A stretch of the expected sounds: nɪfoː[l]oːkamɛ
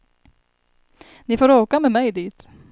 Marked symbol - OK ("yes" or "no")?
no